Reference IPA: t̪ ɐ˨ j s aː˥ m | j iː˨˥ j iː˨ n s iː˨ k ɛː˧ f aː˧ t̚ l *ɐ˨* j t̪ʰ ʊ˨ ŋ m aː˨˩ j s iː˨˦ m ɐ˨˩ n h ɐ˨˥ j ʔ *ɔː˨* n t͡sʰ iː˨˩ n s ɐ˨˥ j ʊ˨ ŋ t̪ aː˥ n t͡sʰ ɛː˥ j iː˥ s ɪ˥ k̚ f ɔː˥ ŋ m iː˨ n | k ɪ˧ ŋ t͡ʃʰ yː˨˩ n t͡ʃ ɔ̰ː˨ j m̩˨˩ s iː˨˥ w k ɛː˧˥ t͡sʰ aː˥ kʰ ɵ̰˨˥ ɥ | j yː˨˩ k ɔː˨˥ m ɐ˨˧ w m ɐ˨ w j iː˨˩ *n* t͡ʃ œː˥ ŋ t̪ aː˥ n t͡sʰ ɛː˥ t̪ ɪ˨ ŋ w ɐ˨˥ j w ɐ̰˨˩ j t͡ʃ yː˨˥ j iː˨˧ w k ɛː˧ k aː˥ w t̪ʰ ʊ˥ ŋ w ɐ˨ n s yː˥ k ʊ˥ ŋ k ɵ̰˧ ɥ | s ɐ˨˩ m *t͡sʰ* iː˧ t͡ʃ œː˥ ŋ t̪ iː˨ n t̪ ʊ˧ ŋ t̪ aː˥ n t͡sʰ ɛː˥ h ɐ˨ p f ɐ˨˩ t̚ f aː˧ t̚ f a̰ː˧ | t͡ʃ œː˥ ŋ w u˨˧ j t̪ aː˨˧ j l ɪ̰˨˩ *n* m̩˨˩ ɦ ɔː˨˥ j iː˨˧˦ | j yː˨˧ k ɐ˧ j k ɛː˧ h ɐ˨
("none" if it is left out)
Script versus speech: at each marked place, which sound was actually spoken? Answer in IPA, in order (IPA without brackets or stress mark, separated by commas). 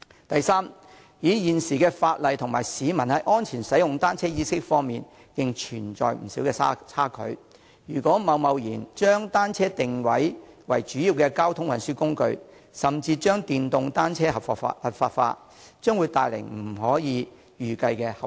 ɐ˨, ɔː˥, n, t͡s, ŋ